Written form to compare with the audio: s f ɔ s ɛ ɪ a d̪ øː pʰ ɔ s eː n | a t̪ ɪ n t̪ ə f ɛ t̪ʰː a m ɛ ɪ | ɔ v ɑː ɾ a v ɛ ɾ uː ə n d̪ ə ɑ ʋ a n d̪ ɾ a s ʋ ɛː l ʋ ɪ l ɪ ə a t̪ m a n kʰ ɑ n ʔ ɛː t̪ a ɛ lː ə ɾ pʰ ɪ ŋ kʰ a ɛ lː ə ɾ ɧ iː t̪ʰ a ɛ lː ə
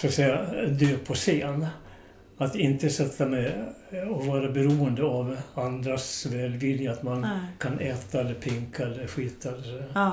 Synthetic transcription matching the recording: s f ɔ s ɛ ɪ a d̪ øː pʰ ɔ s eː n | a t̪ ɪ n t̪ ə s ɛ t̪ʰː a m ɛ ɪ | ɔ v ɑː ɾ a b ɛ ɾ uː ə n d̪ ə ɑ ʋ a n d̪ ɾ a s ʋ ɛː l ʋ ɪ l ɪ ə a t̪ m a n kʰ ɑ n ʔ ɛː t̪ a ɛ lː ə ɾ pʰ ɪ ŋ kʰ a ɛ lː ə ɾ ɧ iː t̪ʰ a ɛ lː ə